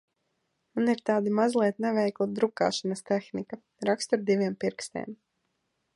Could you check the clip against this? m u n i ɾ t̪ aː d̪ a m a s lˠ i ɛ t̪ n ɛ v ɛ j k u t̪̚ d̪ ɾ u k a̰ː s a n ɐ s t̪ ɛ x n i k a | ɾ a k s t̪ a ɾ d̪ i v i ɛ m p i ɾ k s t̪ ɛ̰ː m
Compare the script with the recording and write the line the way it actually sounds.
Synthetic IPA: m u n i ɾ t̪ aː d̪ i m a z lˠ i ɛ t̪ n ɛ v ɛ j k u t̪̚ d̪ ɾ u k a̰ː ʃ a n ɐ s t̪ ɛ x n i k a | ɾ a k s t̪ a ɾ d̪ i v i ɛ m p i ɾ k s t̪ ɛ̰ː m